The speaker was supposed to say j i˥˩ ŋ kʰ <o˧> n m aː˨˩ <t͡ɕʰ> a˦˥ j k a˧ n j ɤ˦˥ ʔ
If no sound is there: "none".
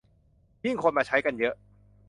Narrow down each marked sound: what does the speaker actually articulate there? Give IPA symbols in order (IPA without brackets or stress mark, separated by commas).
o˧, t͡ɕʰ